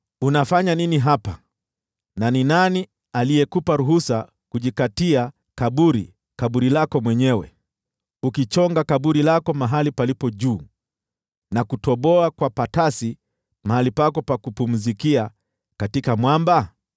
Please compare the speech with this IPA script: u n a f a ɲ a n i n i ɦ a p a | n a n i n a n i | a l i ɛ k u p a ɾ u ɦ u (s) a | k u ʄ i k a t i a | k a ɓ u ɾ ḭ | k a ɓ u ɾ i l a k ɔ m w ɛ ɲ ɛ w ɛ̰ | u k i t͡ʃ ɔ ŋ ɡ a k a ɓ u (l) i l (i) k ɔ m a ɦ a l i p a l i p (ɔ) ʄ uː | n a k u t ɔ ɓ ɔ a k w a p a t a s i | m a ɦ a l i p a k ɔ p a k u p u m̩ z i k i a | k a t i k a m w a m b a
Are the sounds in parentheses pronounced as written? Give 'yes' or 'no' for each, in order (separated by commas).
yes, no, no, yes